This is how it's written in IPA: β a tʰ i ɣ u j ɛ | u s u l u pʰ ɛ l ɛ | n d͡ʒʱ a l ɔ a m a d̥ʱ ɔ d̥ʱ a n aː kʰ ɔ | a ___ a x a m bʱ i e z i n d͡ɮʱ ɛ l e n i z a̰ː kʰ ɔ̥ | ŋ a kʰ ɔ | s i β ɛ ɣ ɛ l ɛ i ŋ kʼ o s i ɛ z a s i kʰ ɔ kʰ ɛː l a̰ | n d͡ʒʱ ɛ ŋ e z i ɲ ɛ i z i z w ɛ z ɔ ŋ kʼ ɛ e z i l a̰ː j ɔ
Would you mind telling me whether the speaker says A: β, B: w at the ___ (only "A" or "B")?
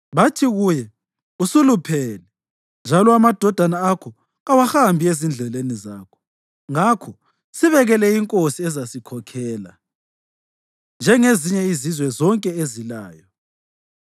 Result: B